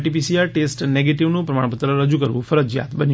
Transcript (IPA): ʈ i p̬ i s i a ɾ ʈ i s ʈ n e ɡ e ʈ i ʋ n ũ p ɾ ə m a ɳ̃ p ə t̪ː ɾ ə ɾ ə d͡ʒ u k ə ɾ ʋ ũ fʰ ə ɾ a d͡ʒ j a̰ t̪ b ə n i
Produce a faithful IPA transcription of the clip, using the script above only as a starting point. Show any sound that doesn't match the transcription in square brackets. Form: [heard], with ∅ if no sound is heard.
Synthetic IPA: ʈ i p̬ i s i a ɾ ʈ [e] s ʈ n e ɡ e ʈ i ʋ n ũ p ɾ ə m a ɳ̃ p ə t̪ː ɾ ə ɾ ə d͡ʒ u k ə ɾ ʋ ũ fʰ ə ɾ [ə] d͡ʒ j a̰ t̪ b ə n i